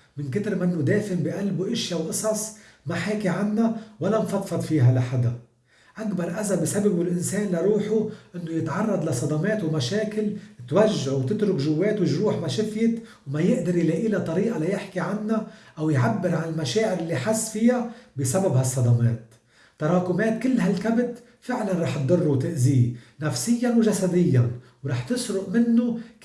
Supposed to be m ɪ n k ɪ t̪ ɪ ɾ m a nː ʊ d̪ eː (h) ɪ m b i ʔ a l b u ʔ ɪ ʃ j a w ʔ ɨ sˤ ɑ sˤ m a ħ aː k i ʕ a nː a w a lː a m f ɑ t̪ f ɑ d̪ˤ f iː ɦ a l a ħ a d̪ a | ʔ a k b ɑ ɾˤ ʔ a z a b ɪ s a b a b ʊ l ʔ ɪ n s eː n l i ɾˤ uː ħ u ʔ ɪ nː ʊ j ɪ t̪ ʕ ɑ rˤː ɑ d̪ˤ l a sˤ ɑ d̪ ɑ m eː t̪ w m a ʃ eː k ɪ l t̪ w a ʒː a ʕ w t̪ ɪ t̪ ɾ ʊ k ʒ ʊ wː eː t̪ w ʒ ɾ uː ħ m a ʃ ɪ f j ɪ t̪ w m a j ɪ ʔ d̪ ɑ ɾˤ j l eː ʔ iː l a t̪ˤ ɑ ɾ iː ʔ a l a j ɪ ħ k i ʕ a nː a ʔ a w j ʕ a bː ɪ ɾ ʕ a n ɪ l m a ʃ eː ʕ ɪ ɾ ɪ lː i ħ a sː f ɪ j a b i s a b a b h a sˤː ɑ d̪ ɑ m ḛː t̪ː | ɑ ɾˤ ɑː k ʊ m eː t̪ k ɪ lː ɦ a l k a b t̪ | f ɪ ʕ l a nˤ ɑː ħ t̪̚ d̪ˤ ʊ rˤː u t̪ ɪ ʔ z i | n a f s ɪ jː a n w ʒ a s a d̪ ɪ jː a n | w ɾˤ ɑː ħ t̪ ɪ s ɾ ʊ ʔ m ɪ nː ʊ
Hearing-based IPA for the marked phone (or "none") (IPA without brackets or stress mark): f